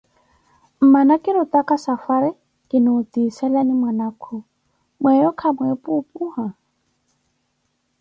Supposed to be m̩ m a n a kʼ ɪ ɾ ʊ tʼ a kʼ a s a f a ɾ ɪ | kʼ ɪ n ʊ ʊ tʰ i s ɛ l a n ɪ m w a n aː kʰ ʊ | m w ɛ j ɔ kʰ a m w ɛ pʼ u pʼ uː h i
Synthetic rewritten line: m̩ m a n a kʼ ɪ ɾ ʊ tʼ a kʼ a s a f a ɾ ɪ | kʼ ɪ n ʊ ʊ t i s ɛ l a n ɪ m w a n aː kʰ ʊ | m w ɛ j ɔ kʰ a m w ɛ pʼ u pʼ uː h a